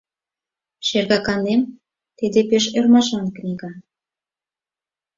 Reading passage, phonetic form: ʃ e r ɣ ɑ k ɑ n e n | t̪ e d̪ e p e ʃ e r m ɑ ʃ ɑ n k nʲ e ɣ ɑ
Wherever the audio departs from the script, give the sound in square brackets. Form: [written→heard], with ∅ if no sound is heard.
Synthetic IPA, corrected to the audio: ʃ e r ɣ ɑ k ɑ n e [n→m] | t̪ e d̪ e p e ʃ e r m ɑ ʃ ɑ n k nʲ [e→i] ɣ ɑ